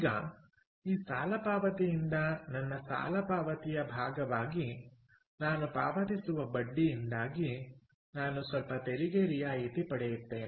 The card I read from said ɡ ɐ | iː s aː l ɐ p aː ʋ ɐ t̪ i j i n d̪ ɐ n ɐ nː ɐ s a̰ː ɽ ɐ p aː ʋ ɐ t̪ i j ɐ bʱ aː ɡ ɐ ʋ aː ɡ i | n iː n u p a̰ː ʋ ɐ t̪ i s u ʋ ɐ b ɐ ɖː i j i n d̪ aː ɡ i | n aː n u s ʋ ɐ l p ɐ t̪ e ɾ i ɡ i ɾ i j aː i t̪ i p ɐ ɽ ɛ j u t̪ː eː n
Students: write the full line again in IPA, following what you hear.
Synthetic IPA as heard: ɡ ɐ | iː s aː l ɐ p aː ʋ ɐ t̪ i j i n d̪ ɐ n ɐ nː ɐ s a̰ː l ɐ p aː ʋ ɐ t̪ i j ɐ bʱ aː ɡ ɐ ʋ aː ɡ i | n aː n u p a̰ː ʋ ɐ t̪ i s u ʋ ɐ b ɐ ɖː i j i n d̪ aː ɡ i | n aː n u s ʋ ɐ l p ɐ t̪ e ɾ i ɡ e ɾ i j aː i t̪ i p ɐ ɽ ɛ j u t̪ː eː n

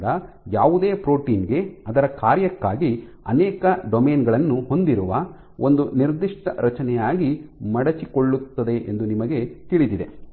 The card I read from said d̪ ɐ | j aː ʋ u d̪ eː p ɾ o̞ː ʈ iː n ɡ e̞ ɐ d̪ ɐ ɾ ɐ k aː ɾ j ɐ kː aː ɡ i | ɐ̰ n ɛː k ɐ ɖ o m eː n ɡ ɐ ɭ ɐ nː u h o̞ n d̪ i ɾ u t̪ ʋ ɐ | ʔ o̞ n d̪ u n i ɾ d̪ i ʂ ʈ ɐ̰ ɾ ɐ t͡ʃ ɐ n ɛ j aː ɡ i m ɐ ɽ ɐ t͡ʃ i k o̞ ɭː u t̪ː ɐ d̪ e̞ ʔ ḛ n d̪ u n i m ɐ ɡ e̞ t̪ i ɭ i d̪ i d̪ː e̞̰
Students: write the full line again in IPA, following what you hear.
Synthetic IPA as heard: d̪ ɐ | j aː ʋ u d̪ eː p ɾ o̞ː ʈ iː n ɡ e̞ ɐ d̪ ɐ ɾ ɐ k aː ɾ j ɐ kː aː ɡ i | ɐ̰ n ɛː k ɐ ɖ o m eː n ɡ ɐ ɭ ɐ nː u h o̞ n d̪ i ɾ u ʋ ɐ | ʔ o̞ n d̪ u n i ɾ d̪ i ʂ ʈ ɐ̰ ɾ ɐ t͡ʃ ɐ n ɛ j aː ɡ i m ɐ ɽ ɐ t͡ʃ i k o̞ ɭː u t̪ː ɐ d̪ e̞ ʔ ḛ n d̪ u n i m ɐ ɡ e̞ t̪ i ɭ i d̪ i d̪ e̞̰

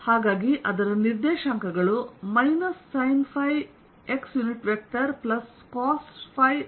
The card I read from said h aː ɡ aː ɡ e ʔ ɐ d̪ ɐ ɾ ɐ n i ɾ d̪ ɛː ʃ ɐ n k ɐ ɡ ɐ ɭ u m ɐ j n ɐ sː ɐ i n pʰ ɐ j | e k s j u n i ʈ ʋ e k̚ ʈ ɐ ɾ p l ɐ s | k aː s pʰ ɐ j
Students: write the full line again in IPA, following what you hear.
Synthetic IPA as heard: h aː ɡ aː ɡ i ʔ ɐ d̪ ɐ ɾ ɐ n i ɾ d̪ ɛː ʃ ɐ ŋ k ɐ ɡ ɐ ɭ u m ɐ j n ɐ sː ɐ j n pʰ ɐ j | e k s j u n i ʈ ʋ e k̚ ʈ ɐ ɾ p l ɐ s | k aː s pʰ ɐ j

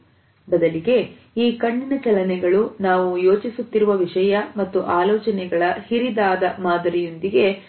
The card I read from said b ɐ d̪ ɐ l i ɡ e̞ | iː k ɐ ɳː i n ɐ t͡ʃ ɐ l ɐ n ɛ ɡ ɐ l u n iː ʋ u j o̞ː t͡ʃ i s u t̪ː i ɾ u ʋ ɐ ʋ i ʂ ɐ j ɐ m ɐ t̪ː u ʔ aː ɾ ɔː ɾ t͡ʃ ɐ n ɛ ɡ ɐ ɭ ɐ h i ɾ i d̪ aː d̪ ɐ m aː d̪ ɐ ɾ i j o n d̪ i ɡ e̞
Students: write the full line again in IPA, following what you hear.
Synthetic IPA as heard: b ɐ d̪ ɐ l i ɡ e̞ | iː k ɐ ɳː i n ɐ t͡ʃ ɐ l ɐ n ɛ ɡ ɐ ɭ u n aː ʋ u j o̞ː t͡ʃ i s u t̪ː i ɾ u ʋ ɐ ʋ i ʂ ɐ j ɐ m ɐ t̪ː u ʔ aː l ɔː t͡ʃ ɐ n ɛ ɡ ɐ ɭ ɐ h i ɾ i d̪ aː d̪ ɐ m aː d̪ ɐ ɾ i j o n d̪ i ɡ e̞

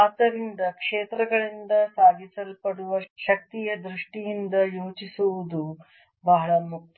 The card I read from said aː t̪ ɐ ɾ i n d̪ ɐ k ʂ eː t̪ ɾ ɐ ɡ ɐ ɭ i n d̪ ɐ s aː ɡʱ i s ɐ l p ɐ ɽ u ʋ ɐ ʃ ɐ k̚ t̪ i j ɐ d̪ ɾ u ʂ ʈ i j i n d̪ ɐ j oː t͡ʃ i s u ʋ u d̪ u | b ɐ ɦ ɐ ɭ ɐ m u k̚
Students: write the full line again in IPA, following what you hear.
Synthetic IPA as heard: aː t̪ ɐ ɾ i n d̪ ɐ k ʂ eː t̪ ɾ ɐ ɡ ɐ ɭ i n d̪ ɐ s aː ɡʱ i s ɐ l p ɐ ɽ u ʋ ɐ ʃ ɐ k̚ t̪ i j ɐ d̪ ɾ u ʂ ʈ i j i n d̪ ɐ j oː t͡ʃ i s u ʋ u d̪ u | b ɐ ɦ ɐ ɭ ɐ m u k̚

